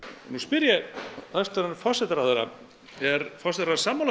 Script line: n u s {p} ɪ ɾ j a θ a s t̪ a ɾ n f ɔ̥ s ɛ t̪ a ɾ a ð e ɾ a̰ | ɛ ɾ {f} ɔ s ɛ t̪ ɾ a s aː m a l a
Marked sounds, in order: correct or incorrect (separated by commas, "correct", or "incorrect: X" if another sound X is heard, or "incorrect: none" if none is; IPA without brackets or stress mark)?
correct, correct